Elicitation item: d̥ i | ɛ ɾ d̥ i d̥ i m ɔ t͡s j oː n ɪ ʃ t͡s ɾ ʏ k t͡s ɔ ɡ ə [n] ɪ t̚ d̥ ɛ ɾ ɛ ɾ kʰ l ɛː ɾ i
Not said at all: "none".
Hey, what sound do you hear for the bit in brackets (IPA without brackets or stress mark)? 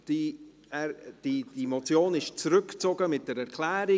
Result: m